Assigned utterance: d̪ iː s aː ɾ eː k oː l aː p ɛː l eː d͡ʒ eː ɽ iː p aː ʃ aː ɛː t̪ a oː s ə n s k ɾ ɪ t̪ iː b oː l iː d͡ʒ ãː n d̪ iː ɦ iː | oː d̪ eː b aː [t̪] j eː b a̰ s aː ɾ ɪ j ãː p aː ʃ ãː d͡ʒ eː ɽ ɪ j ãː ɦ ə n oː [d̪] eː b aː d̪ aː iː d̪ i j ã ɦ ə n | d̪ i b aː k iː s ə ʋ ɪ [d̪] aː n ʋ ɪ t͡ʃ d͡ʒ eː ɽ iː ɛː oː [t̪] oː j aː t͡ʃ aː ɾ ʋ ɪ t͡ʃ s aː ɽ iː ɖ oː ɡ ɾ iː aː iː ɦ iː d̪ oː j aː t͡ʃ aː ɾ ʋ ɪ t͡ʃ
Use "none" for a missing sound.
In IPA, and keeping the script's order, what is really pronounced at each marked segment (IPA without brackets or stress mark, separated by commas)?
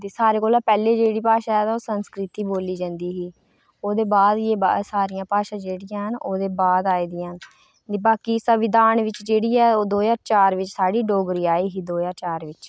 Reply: d̪, d̪, d̪, d̪